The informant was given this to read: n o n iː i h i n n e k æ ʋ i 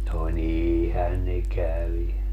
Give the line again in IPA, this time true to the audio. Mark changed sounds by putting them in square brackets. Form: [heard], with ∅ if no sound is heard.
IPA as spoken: n o n iː i h [æ] n n e k æ ʋ i